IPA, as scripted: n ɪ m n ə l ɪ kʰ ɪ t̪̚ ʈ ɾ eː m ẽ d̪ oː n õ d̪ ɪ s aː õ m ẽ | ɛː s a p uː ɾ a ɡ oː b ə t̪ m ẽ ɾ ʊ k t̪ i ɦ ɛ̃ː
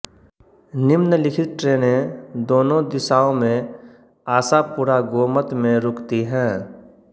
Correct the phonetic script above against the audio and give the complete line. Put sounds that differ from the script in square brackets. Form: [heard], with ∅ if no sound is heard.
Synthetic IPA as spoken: n ɪ m n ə l ɪ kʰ ɪ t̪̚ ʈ ɾ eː [n] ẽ d̪ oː n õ d̪ ɪ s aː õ m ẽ | [aː] s a p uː ɾ a ɡ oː [m] ə t̪ m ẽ ɾ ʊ k t̪ i ɦ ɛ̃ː